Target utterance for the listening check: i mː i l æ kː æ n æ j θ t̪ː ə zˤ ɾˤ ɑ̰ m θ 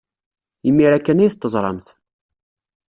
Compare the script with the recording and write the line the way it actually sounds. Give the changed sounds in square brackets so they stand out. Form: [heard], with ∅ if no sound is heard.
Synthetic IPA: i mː i [ɾ] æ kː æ n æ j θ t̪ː ə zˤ ɾˤ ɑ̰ m θ